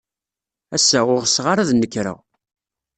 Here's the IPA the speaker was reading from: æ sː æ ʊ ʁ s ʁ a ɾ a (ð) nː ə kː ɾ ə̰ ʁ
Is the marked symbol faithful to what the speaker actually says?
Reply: yes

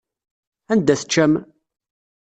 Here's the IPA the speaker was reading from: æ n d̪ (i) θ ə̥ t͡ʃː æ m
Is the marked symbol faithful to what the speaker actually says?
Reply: no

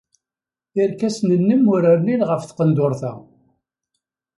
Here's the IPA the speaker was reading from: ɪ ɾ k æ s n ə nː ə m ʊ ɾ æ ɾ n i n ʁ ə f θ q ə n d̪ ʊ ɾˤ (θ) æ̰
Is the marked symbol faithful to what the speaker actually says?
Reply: yes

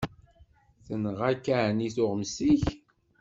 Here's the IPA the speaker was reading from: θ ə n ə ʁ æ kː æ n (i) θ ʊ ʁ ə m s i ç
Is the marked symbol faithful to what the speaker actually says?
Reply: yes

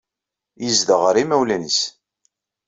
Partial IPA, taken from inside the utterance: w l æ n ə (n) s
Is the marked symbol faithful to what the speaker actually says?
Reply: no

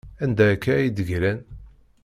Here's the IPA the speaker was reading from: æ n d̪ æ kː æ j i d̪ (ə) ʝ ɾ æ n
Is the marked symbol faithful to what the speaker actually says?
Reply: yes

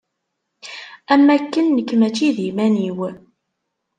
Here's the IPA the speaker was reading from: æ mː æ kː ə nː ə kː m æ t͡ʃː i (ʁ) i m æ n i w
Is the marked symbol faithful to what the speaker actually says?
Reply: no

